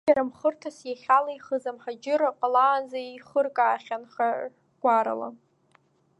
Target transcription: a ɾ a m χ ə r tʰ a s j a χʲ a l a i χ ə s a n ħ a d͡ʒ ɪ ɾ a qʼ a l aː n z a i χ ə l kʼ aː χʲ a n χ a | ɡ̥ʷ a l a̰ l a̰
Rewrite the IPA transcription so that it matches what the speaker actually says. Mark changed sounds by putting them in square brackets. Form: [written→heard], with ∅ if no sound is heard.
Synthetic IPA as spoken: a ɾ a m χ ə r tʰ a s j a χʲ a l a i χ ə [s→z] a [n→m] ħ a d͡ʒ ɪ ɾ a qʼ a l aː n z a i χ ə [l→r] kʼ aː χʲ a n χ a | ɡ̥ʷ a [l→ɾ] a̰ l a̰